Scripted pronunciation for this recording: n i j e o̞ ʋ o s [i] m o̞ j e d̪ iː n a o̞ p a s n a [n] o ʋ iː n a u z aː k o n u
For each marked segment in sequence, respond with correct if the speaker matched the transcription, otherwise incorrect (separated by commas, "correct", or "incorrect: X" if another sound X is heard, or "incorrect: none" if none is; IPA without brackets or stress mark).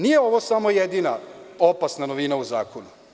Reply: incorrect: a, correct